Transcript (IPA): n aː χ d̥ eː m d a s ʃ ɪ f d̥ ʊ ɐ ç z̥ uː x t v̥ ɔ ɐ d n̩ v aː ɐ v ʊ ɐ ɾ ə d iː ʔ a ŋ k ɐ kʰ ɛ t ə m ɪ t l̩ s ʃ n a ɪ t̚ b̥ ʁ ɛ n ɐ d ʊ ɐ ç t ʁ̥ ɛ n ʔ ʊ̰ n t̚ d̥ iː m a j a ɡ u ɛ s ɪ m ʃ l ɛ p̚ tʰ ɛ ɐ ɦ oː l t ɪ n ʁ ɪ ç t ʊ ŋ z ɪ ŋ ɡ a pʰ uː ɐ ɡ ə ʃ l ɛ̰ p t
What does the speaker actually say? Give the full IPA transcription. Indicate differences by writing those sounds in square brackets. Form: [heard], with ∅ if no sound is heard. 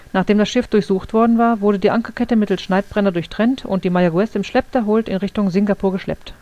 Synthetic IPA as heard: n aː χ d̥ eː m d a s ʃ ɪ f d̥ ʊ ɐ ç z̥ uː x t v̥ ɔ ɐ d n̩ v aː ɐ v ʊ ɐ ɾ ə d iː ʔ a ŋ k ɐ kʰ ɛ t ə m ɪ t l̩ s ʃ n a ɪ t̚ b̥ ʁ ɛ n ɐ d ʊ ɐ ç t ʁ̥ ɛ n [t] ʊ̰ n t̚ d̥ iː m a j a ɡ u ɛ s ɪ m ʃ l ɛ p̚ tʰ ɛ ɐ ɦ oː l t ɪ n ʁ ɪ ç t ʊ ŋ z ɪ ŋ ɡ a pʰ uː ɐ ɡ ə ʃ l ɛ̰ p t